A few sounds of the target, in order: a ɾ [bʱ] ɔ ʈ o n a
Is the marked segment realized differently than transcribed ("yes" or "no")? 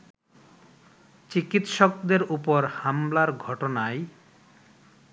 yes